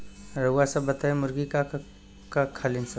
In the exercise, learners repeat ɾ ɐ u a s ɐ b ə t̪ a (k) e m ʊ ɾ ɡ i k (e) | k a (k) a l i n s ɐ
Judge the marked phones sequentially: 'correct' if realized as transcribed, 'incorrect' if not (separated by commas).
incorrect, incorrect, incorrect